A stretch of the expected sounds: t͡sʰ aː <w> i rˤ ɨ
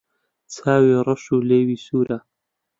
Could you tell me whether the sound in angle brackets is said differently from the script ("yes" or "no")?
no